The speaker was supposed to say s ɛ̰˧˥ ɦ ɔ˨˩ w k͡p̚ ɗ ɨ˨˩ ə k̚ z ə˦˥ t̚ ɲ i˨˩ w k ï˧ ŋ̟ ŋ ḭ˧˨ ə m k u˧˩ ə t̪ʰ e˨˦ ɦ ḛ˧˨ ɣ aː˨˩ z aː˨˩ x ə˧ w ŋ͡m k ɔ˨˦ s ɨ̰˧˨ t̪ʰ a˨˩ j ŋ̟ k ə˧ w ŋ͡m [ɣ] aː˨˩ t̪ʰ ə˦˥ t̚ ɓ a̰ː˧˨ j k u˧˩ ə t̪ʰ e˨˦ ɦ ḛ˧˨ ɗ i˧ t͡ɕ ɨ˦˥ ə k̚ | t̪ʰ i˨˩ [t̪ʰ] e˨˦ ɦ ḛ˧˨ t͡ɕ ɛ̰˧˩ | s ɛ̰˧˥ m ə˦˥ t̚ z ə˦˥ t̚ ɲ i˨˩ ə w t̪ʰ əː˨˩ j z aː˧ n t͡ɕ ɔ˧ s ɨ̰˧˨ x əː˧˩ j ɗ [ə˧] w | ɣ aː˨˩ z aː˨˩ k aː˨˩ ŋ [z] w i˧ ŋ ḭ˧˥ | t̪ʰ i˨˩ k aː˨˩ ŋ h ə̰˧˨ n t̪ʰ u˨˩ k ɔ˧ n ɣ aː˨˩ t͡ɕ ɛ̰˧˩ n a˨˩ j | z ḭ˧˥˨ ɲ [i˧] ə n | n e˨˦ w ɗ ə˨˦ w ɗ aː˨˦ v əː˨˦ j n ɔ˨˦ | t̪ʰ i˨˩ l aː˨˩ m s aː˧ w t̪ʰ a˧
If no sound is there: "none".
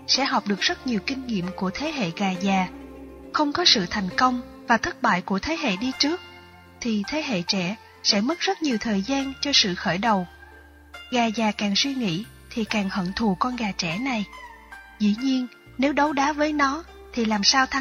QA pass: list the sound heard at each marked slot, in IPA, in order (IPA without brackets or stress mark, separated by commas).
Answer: v, t̪ʰ, ə˨˩, s, i˧